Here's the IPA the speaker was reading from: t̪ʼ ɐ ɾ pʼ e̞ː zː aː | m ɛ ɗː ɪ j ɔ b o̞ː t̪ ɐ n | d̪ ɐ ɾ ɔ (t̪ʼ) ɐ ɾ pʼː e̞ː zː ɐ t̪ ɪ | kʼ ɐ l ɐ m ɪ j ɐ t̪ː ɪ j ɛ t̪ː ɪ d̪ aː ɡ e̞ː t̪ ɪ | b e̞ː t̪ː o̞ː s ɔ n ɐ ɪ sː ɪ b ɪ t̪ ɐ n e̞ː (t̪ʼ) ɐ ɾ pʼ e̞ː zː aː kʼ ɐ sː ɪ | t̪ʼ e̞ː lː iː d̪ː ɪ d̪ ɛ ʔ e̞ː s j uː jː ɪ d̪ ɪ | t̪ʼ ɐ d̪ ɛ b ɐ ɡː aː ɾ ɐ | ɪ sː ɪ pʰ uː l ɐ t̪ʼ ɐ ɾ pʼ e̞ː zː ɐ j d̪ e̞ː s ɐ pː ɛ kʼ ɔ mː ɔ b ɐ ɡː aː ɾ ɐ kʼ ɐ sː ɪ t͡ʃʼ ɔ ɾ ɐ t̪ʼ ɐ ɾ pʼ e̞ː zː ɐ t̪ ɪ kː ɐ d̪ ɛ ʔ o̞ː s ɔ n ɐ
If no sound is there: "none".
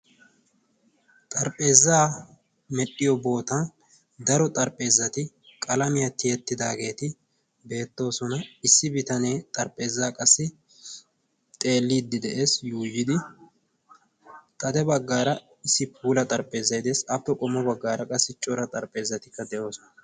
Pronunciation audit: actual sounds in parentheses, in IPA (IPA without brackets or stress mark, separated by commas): t̪ʼ, t̪ʼ